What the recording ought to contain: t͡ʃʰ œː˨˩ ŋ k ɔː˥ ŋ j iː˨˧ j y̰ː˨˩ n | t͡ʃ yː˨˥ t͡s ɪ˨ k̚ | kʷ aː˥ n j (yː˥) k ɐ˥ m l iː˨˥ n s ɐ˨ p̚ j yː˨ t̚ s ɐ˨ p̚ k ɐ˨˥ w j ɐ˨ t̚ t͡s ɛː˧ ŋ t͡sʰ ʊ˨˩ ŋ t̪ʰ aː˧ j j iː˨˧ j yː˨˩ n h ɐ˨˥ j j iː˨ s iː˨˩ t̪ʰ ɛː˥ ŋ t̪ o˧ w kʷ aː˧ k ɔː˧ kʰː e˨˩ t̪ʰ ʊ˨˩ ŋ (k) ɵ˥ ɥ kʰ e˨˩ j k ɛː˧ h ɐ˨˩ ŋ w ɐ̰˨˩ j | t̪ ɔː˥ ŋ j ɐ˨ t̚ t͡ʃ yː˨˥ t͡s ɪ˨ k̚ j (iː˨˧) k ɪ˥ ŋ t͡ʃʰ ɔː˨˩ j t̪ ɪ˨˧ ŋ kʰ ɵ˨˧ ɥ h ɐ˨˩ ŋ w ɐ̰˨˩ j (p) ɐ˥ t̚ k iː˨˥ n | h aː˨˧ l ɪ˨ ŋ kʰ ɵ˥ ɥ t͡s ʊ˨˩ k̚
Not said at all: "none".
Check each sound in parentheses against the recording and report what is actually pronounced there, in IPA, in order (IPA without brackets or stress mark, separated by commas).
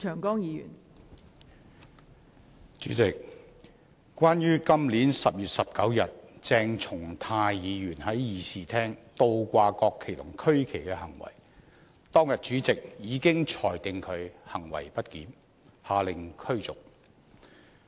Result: yː˥, kʰ, iː˨˧, p